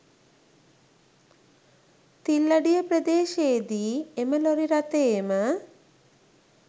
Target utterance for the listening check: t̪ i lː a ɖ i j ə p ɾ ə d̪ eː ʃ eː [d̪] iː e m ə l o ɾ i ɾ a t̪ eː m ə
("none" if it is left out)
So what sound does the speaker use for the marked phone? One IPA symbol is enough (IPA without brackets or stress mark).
d̪